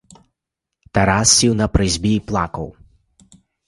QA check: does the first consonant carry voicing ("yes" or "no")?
no